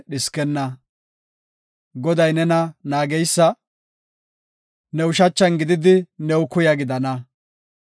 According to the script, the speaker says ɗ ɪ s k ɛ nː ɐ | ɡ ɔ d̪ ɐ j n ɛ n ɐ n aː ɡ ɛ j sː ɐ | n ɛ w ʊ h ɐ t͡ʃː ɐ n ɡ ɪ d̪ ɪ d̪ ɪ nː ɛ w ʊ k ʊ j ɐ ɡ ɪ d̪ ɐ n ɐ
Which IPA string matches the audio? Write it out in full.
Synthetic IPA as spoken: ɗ ɪ s k ɛ nː ɐ | ɡ ɔ d̪ ɐ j n ɛ n ɐ n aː ɡ ɛ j sː ɐ | n ɛ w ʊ ʃ ɐ t͡ʃː ɐ n ɡ ɪ d̪ ɪ d̪ ɪ n ɛ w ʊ k ʊ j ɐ ɡ ɪ d̪ ɐ n ɐ